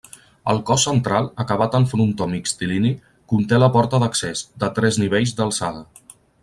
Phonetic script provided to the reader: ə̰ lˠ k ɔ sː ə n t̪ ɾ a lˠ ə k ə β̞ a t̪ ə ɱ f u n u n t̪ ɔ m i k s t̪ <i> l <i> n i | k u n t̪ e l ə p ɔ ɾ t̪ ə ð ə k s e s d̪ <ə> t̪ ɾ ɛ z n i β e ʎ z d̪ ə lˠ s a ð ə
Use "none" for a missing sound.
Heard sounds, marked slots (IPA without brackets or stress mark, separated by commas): i, i, ə